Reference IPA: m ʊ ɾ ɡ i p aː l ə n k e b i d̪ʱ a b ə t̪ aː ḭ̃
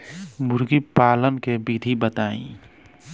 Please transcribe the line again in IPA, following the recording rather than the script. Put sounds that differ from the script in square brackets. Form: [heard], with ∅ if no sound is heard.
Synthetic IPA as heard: m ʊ ɾ ɡ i p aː l ə n k e b i d̪ʱ [i] b ə t̪ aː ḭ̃